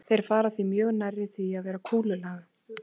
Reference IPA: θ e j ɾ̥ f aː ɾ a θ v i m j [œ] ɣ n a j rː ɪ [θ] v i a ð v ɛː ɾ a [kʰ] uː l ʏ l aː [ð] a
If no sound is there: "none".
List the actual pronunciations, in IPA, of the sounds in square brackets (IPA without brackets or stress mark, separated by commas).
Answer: œː, θ, kʰ, ɣ